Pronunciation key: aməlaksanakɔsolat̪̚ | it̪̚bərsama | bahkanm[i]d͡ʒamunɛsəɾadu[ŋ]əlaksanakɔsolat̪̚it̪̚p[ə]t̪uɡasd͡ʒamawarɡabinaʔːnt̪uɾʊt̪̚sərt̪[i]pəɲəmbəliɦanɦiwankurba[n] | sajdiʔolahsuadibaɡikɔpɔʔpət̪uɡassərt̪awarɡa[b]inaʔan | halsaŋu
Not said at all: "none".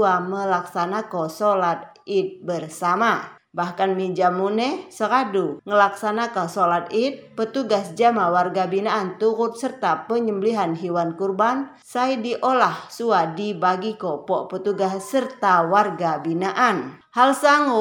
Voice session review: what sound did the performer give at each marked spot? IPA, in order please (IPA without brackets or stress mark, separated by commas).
i, ŋ, ə, a, n, b